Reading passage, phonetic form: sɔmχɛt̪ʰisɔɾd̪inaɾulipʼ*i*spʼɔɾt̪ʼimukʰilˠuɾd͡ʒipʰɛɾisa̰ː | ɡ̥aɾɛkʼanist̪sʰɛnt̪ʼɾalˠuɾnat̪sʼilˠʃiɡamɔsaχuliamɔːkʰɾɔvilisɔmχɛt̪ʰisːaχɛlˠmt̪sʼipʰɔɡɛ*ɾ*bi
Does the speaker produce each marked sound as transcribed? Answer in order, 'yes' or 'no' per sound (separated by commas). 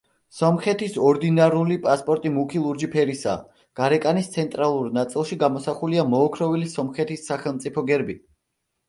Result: no, yes